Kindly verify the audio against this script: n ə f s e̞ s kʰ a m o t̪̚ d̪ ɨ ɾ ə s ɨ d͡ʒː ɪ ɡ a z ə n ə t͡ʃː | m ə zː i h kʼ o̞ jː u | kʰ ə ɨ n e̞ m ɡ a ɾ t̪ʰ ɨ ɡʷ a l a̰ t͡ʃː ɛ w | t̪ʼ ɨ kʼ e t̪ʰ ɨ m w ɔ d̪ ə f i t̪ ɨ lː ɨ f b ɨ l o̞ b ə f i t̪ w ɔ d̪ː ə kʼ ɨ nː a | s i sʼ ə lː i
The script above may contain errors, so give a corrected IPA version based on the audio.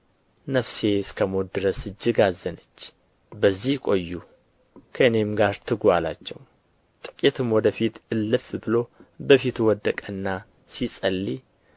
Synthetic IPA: n ə f s e̞ s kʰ ə m o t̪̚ d̪ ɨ ɾ ə s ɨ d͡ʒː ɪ ɡ a z ə n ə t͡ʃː | b ə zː i h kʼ o̞ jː u | kʰ ə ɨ n e̞ m ɡ a ɾ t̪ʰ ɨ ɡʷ a l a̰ t͡ʃː ɛ w | t̪ʼ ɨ kʼ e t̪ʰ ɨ m w ɔ d̪ ə f i t̪ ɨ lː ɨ f b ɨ l o̞ b ə f i t̪ w ɔ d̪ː ə kʼ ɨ nː a | s i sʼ ə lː i

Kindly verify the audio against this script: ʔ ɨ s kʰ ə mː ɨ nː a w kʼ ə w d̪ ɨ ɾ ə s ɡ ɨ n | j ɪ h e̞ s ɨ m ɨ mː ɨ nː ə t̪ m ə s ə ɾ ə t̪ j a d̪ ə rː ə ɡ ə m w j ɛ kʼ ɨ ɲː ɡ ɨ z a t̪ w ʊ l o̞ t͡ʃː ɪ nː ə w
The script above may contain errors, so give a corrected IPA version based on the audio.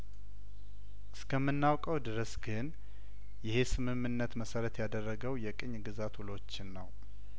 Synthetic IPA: ʔ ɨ s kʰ ə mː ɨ nː a w kʼ ə w d̪ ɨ ɾ ə s ɡ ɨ n | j ɪ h e̞ s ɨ m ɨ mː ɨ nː ə t̪ m ə s ə ɾ ə t̪ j a d̪ ə rː ə ɡ ə w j ɛ kʼ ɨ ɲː ɡ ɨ z a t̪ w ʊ l o̞ t͡ʃː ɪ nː ə w

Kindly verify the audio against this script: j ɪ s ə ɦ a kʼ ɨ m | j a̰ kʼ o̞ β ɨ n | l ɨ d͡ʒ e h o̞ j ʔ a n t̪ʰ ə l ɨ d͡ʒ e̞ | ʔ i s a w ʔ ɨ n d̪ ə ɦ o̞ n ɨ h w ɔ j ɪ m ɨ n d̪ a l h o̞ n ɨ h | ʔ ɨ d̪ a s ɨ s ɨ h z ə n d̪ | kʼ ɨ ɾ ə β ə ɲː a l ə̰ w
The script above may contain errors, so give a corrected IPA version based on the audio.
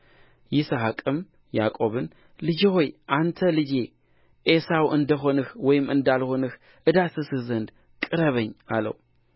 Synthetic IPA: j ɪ s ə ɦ a kʼ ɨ m | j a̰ kʼ o̞ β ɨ n | l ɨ d͡ʒ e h o̞ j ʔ a n t̪ʰ ə l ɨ d͡ʒ e̞ | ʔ e s a w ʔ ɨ n d̪ ə ɦ o̞ n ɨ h w ɔ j ɪ m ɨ n d̪ a l h o̞ n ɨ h | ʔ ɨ d̪ a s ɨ s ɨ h z ə n d̪ | kʼ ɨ ɾ ə β ə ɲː a l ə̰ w

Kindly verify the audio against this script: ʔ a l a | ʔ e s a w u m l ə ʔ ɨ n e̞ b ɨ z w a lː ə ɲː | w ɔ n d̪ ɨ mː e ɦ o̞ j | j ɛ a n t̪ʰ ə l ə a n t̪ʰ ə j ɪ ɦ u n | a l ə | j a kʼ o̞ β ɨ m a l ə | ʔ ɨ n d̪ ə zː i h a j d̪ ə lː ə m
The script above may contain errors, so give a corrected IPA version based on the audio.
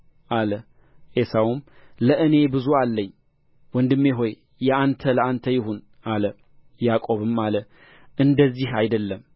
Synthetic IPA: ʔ a l ə | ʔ e s a w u m l ə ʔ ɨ n e̞ b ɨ z u a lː ə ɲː | w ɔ n d̪ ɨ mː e ɦ o̞ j | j ɛ a n t̪ʰ ə l ə a n t̪ʰ ə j ɪ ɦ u n | a l ə | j a kʼ o̞ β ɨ m a l ə | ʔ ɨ n d̪ ə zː i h a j d̪ ə lː ə m

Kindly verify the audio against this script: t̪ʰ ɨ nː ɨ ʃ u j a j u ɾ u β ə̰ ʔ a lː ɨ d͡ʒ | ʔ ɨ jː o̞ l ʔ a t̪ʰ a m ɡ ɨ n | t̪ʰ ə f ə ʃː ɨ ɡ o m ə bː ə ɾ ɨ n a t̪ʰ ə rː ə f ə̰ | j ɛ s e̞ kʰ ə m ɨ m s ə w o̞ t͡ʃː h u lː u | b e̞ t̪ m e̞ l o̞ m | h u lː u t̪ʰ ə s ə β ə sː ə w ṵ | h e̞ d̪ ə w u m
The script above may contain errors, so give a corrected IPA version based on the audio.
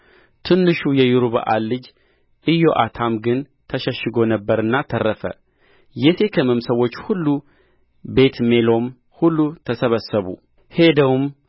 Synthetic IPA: t̪ʰ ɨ nː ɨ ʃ u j ɛ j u ɾ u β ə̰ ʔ a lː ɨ d͡ʒ | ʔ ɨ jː o̞ ʔ a t̪ʰ a m ɡ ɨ n | t̪ʰ ə ʃ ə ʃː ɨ ɡ o n ə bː ə ɾ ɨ nː a t̪ʰ ə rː ə f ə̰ | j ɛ s e̞ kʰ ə m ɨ m s ə w o̞ t͡ʃː h u lː u | b e̞ t̪ m e̞ l o̞ m | h u lː u t̪ʰ ə s ə β ə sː ə β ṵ | h e̞ d̪ ə w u m

